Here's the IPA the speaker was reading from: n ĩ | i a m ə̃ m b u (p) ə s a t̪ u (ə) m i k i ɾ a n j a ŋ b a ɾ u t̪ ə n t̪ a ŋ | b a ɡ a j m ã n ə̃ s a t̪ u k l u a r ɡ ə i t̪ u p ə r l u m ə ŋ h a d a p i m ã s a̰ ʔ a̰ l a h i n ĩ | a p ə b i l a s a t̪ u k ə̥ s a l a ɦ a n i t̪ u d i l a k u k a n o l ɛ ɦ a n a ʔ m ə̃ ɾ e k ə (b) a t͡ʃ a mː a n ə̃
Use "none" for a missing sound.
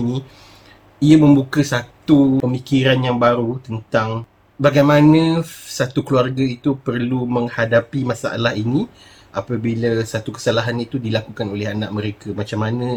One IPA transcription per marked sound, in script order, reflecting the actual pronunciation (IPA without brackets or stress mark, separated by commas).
k, ə, m